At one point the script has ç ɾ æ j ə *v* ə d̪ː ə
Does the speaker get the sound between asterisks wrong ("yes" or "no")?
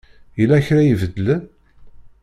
no